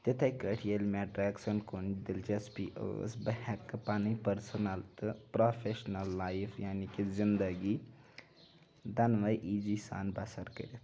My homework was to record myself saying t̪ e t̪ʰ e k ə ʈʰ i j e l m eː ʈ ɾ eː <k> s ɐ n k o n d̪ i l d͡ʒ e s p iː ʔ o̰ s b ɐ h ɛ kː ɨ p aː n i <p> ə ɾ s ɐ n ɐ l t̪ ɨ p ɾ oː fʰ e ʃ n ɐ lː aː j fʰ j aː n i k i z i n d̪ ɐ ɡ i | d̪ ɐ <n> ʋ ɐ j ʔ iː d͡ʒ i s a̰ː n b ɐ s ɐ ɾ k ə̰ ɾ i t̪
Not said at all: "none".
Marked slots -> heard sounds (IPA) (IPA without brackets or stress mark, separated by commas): k, p, n